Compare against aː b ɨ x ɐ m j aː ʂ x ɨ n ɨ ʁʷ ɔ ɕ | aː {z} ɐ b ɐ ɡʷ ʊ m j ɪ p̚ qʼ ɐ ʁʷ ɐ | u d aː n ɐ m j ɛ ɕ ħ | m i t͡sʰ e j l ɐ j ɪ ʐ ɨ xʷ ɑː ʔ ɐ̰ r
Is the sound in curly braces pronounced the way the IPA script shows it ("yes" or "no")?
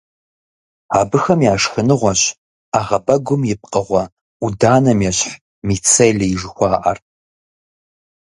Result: no